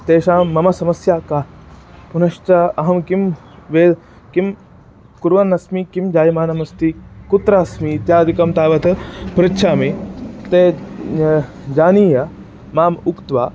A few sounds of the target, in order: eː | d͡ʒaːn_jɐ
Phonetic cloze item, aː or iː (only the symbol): iː